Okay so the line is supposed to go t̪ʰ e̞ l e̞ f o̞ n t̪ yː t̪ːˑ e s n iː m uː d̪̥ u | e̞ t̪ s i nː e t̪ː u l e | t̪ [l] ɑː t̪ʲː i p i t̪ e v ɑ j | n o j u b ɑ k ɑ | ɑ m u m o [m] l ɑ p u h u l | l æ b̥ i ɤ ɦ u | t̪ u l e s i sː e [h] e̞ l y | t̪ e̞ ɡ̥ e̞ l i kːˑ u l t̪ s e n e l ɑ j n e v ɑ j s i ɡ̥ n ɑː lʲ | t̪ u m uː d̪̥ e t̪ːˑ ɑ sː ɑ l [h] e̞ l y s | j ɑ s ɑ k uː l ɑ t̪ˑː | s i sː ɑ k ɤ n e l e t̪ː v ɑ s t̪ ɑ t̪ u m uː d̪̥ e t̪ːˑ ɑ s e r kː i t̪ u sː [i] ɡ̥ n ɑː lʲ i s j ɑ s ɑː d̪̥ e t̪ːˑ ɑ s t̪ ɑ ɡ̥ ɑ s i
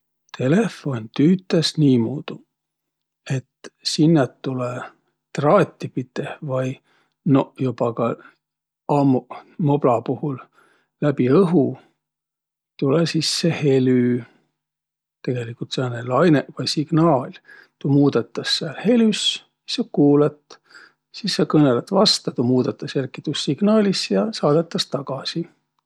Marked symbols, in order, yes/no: no, no, yes, yes, yes

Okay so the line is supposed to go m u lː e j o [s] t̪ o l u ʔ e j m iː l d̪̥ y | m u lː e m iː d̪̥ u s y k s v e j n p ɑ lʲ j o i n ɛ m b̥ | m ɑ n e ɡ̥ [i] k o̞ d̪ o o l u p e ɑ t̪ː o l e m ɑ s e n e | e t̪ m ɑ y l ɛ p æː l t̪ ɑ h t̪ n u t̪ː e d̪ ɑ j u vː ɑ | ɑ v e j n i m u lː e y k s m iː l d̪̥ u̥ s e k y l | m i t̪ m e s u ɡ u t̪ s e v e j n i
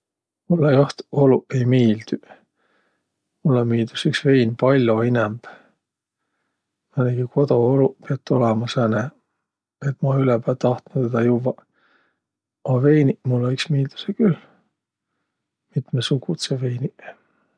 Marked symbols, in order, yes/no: no, yes

